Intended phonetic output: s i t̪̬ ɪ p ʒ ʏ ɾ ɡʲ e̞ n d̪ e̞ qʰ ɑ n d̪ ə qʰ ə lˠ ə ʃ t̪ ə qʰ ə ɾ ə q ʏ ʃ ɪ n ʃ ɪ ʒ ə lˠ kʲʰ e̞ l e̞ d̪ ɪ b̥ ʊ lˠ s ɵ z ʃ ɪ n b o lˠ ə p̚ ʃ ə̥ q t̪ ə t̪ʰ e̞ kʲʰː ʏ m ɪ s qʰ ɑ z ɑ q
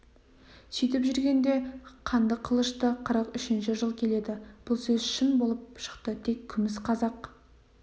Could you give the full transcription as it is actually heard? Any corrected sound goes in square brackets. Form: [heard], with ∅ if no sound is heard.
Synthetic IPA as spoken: s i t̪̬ ɪ p ʒ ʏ ɾ ɡʲ e̞ n d̪ e̞ qʰ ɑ n d̪ ə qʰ ə lˠ ə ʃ t̪ ə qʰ ə ɾ ə q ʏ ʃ ɪ n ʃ ɪ ʒ ə lˠ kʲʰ e̞ l e̞ d̪ ɪ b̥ ʊ lˠ s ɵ z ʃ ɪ n b o lˠ ə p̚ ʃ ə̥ q t̪ ə t̪ʰ e̞ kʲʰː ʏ m ɪ s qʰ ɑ z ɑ q